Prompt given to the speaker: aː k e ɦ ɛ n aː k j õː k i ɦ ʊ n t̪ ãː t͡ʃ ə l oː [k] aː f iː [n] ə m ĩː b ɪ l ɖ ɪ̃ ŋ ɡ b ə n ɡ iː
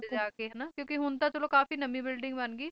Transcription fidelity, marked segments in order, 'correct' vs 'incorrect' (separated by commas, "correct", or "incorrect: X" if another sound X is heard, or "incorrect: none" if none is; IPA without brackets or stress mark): correct, correct